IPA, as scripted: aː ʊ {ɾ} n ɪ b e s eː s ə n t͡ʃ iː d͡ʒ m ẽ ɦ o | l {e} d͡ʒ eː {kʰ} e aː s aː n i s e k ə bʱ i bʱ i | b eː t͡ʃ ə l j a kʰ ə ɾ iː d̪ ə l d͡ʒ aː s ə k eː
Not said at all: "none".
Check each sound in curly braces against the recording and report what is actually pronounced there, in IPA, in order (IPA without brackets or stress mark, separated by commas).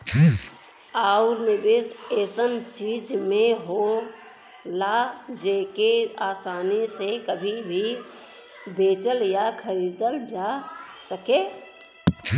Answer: ɾ, a, k